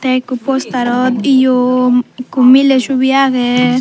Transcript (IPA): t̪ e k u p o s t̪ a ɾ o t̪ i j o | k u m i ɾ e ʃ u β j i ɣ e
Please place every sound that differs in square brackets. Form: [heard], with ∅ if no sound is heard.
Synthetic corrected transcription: t̪ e k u p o s t̪ a ɾ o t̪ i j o | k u m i [l] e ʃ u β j [a] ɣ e